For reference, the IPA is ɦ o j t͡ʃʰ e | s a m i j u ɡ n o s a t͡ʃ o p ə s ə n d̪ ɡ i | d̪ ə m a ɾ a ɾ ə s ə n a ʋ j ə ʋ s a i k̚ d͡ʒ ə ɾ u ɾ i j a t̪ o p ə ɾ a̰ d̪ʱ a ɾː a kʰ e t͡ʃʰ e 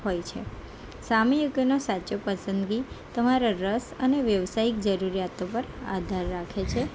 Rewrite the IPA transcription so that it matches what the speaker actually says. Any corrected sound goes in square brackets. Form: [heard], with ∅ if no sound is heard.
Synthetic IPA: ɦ o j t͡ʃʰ e | s a m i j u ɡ n o s a t͡ʃ o p ə s ə n d̪ ɡ i | [t̪] ə m a ɾ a ɾ ə s ə n [e] ʋ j ə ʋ s a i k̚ d͡ʒ ə ɾ u ɾ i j a t̪ o p ə ɾ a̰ d̪ʱ a ɾː a kʰ e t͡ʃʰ e